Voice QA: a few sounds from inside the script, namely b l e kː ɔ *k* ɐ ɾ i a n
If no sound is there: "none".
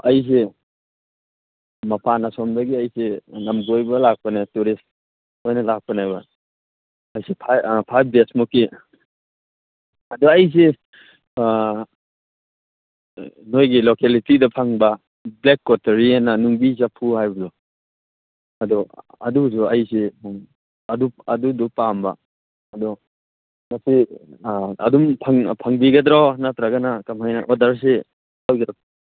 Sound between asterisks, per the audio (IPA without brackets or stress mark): t